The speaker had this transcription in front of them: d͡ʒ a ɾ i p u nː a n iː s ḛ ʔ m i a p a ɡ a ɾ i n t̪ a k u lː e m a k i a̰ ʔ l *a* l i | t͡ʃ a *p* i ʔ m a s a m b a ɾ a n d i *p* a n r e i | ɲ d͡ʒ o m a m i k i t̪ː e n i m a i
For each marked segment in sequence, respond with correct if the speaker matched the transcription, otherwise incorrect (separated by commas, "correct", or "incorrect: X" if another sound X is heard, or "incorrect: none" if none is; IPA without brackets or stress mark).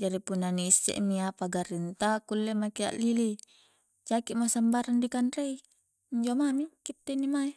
incorrect: i, incorrect: k, incorrect: k